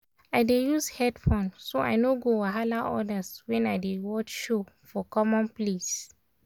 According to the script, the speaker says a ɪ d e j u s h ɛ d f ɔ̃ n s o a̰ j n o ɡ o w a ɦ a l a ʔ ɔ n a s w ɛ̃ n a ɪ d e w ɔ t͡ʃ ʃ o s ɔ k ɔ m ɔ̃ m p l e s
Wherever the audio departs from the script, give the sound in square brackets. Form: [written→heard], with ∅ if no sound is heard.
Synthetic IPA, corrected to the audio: a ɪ d e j u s h ɛ d f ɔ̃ n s o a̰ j n o ɡ o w a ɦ a l a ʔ ɔ [n→d] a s w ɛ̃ n a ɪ d e w ɔ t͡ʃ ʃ o [s→f] ɔ k ɔ m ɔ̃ [m→n] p l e s